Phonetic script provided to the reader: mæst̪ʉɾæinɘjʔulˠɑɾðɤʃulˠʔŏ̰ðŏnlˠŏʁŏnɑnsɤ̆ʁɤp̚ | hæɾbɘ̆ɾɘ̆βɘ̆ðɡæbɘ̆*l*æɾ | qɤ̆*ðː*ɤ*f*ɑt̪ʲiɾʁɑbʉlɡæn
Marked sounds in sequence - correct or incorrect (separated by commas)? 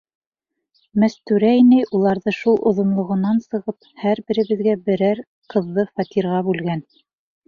incorrect, correct, correct